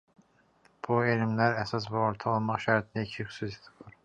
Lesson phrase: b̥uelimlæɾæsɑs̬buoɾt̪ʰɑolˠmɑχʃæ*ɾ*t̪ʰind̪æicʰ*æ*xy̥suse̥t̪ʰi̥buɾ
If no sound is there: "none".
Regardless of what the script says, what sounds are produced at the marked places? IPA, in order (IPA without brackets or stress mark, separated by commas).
ɾ, i